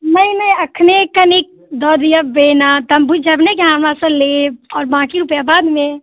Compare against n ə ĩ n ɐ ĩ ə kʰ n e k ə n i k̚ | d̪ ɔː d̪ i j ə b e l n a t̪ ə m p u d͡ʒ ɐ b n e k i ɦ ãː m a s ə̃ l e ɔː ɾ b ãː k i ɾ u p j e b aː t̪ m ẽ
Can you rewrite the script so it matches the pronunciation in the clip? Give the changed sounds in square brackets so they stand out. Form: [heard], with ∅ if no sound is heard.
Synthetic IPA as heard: n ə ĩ n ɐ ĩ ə kʰ n e k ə n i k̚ | d̪ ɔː d̪ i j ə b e [∅] n a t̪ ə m [b] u d͡ʒ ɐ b n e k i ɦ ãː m a s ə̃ l e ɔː ɾ b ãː k i ɾ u p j [a] b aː [d̪] m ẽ